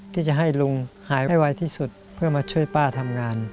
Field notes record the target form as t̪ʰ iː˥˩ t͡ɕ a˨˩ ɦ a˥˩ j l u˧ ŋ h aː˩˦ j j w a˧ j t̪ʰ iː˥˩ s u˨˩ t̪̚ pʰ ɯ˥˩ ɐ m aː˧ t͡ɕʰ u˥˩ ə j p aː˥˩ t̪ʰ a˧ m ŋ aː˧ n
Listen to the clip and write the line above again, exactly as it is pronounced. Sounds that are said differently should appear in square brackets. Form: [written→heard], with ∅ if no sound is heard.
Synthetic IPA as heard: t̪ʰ iː˥˩ t͡ɕ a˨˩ ɦ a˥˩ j l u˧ ŋ h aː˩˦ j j w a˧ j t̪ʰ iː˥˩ s u˨˩ t̪̚ pʰ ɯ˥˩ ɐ m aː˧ t͡ɕʰ u˥˩ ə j p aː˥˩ t̪ʰ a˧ m ŋ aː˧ n